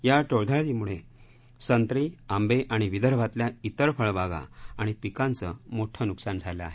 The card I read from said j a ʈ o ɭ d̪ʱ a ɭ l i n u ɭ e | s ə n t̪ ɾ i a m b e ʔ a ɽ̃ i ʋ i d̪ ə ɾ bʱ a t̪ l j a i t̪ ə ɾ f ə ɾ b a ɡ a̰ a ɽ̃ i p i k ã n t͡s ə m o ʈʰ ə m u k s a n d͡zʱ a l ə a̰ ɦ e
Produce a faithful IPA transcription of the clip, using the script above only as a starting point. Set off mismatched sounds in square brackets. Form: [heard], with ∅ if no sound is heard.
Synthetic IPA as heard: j a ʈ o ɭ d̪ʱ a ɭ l i [m] u ɭ e | s ə n t̪ ɾ i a m b e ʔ a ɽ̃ i ʋ i d̪ ə ɾ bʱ a t̪ l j a i t̪ ə ɾ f ə [ɭ] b a ɡ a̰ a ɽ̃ i p i k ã n t͡s ə m o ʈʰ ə [n] u k s a n d͡zʱ a l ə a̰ ɦ e